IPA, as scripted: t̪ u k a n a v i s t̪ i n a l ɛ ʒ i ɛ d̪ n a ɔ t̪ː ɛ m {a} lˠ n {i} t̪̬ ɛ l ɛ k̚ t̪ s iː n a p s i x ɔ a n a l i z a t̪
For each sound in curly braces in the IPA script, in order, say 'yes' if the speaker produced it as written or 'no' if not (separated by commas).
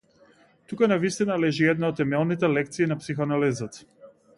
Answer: no, yes